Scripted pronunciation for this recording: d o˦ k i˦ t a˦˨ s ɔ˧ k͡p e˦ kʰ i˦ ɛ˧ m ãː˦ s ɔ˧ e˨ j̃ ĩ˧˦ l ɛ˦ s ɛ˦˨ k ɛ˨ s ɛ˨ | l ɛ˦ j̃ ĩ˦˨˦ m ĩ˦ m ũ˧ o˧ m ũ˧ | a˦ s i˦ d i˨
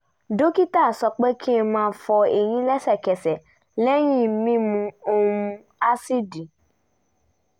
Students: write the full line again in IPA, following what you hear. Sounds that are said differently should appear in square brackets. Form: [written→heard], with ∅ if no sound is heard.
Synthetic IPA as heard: d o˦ k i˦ t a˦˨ s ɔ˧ k͡p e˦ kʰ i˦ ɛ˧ m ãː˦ [s→f] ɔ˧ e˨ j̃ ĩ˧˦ l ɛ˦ s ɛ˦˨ k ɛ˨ s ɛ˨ | l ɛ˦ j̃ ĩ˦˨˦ m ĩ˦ m ũ˧ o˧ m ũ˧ | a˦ s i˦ d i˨